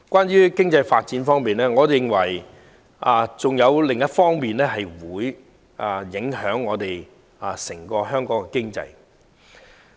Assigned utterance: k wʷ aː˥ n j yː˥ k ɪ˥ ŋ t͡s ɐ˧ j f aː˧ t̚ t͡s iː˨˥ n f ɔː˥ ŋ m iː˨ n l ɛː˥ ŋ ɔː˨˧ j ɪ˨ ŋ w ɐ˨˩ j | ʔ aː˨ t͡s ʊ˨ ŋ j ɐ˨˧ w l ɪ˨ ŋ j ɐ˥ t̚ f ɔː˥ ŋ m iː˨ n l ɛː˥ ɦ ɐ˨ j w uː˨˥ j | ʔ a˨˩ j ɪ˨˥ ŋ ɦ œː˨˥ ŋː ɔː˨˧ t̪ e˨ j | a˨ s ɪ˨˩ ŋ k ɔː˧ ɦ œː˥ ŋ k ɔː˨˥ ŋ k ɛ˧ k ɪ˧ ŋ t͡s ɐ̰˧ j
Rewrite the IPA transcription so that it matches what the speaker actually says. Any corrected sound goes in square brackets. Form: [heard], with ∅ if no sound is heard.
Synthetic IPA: k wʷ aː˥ n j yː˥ k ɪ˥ ŋ t͡s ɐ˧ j f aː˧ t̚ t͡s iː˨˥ n f ɔː˥ ŋ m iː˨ n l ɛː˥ ŋ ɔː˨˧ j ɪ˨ ŋ w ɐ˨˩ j | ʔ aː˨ t͡s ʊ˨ ŋ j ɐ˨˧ w l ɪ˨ ŋ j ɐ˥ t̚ f ɔː˥ ŋ m iː˨ n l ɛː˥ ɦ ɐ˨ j w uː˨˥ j | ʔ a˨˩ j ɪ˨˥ ŋ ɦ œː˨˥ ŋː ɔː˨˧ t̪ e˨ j | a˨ s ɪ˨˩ ŋ k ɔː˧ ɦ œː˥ ŋ k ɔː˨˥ ŋ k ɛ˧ k [ɪ˥] ŋ t͡s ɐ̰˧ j